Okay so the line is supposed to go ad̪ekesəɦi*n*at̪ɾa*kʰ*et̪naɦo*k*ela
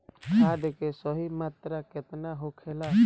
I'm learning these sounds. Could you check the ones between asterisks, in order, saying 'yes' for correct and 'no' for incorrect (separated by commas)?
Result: no, no, no